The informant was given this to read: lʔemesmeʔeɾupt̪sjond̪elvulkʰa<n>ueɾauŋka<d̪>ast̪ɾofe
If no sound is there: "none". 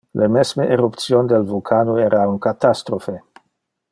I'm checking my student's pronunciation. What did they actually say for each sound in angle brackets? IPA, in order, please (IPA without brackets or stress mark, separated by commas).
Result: n, t̪